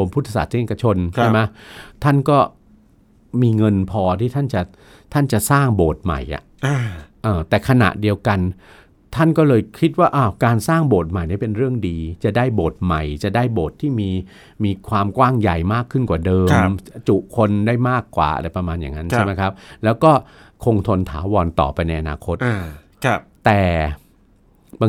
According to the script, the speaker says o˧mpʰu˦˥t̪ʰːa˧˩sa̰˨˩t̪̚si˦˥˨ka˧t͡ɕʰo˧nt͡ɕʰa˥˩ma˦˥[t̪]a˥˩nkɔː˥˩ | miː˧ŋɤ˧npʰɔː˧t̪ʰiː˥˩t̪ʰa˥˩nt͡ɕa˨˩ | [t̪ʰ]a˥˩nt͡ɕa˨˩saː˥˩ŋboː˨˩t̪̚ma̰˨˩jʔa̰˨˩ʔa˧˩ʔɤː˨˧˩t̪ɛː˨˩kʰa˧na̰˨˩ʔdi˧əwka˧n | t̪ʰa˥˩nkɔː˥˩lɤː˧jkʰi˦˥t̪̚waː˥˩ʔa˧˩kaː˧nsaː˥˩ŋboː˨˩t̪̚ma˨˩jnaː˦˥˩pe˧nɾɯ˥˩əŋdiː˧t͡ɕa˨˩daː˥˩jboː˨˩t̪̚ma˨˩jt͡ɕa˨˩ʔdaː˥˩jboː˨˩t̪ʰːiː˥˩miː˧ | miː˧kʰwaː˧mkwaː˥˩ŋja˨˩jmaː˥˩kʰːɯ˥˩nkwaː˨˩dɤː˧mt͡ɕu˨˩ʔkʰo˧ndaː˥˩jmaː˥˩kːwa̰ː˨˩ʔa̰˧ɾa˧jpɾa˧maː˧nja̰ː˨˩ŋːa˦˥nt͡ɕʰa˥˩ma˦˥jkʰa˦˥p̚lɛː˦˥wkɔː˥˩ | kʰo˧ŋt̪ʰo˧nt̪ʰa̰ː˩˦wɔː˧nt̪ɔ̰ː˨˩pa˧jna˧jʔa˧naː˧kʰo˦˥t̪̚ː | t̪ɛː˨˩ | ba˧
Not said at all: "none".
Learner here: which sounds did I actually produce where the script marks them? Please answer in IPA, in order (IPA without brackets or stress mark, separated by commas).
t̪ʰ, t̪ʰ